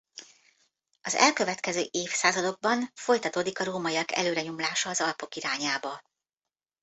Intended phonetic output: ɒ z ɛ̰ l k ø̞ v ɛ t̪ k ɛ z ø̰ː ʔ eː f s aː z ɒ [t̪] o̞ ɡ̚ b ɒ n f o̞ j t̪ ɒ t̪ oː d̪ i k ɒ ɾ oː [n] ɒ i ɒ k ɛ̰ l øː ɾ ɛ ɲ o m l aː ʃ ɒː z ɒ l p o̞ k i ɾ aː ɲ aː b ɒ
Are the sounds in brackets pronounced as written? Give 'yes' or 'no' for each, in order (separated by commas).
no, no